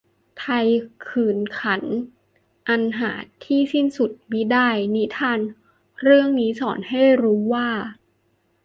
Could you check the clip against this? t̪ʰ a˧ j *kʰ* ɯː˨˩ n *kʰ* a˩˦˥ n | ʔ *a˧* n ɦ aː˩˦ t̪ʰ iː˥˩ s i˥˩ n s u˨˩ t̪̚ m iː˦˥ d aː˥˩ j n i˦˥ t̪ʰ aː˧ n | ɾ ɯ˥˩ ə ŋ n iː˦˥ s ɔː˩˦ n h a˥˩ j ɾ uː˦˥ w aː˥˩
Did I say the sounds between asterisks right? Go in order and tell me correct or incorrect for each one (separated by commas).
correct, correct, correct